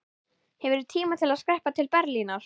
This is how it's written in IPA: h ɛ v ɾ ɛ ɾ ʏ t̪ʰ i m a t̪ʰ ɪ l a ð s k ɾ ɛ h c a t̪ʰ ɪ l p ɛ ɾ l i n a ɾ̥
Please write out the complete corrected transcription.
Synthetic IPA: h ɛ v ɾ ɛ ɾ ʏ t̪ʰ iː m a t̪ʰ ɪ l a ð s k ɾ ɛ h p a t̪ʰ ɪ l p ɛ ɾ l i n a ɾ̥